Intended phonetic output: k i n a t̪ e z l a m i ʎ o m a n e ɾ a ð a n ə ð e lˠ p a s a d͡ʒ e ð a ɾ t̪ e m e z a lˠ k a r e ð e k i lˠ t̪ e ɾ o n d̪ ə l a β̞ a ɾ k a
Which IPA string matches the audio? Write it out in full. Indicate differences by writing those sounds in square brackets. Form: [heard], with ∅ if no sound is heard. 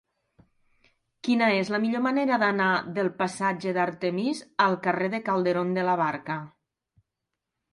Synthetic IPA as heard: k i n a [∅] e z l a m i ʎ o m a n e ɾ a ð a n [a] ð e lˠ p a s a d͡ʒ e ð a ɾ t̪ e m [i] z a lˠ k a r e ð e k [a] lˠ [d̪] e ɾ o n d̪ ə l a β̞ a ɾ k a